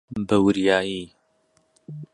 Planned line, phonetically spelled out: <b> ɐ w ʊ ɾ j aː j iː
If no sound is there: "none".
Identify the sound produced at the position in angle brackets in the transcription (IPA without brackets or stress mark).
b